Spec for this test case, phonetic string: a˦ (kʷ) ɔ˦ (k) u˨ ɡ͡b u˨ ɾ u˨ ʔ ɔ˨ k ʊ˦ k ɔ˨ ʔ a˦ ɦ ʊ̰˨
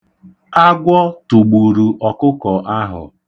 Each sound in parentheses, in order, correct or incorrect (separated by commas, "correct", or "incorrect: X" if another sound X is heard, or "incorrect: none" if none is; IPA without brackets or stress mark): incorrect: ɡʷ, incorrect: t